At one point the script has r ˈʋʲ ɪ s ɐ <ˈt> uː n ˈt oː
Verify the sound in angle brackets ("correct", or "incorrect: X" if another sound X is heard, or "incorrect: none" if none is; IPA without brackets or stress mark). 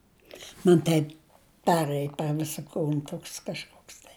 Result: incorrect: k